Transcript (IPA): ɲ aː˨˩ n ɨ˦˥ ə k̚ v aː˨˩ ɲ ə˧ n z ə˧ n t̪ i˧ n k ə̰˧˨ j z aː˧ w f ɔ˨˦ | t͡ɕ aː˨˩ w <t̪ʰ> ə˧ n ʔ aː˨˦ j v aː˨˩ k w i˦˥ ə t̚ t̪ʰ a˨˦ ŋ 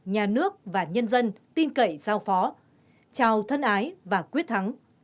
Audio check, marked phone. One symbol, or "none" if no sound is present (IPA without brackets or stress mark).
t̪ʰ